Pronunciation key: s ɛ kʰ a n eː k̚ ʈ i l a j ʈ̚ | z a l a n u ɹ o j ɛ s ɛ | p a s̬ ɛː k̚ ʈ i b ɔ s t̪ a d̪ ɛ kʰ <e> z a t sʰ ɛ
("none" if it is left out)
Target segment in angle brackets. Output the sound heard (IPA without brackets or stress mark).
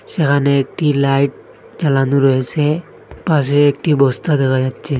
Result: a